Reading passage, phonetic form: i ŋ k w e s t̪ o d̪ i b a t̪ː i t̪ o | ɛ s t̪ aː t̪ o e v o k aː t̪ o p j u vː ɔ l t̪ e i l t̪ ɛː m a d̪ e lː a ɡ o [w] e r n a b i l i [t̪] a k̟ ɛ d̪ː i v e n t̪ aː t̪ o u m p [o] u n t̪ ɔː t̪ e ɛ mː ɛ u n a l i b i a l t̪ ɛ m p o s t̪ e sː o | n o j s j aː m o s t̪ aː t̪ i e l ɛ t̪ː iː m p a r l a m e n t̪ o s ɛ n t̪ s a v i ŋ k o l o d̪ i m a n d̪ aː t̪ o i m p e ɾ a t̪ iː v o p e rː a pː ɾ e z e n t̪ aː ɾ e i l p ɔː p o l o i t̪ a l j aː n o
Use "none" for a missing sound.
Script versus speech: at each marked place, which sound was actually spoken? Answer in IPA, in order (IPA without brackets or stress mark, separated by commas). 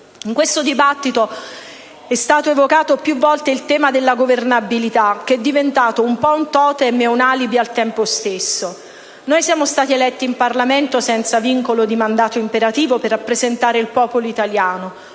v, t̪, ɔ